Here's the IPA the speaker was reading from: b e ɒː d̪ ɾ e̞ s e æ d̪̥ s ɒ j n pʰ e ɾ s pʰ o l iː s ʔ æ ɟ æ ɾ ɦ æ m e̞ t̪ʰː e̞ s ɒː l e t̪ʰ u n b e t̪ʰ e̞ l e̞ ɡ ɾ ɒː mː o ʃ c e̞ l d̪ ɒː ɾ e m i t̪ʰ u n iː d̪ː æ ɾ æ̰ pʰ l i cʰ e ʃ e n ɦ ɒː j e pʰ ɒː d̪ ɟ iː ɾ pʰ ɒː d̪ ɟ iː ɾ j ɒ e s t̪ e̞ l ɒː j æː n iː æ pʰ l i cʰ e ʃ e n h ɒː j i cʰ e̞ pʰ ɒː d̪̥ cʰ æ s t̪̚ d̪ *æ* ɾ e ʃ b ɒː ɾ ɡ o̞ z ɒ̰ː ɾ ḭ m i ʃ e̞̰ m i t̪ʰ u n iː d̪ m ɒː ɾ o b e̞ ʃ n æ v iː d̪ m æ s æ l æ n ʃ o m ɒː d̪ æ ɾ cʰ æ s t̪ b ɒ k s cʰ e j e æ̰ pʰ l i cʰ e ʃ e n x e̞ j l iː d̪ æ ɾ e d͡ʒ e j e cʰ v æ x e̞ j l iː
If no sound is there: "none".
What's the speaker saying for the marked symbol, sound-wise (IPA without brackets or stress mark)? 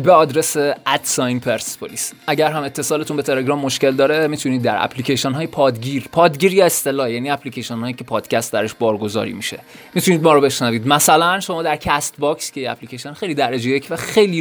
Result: æ